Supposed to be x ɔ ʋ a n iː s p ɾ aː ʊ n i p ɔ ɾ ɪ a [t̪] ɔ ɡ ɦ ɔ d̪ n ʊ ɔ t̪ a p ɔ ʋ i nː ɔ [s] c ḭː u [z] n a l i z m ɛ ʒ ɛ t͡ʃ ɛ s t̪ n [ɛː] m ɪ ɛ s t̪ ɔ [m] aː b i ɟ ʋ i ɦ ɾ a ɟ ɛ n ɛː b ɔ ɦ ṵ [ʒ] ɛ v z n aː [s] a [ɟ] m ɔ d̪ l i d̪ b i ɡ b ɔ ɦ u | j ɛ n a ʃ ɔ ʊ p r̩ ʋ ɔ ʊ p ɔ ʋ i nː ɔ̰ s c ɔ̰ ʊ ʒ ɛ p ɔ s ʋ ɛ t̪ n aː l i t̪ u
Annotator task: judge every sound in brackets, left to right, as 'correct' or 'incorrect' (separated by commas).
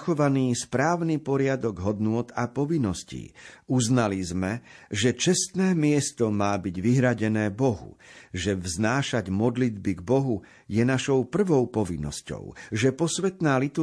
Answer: incorrect, correct, correct, correct, correct, correct, incorrect, correct